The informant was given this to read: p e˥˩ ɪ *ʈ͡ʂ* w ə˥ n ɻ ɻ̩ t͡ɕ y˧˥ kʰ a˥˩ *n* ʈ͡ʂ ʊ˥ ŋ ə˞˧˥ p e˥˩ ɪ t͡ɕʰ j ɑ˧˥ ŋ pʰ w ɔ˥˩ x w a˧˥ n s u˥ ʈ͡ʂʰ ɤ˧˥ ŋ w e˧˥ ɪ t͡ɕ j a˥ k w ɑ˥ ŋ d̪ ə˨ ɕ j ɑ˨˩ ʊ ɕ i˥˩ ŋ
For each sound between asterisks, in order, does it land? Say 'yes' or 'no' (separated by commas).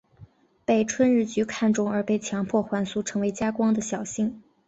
no, yes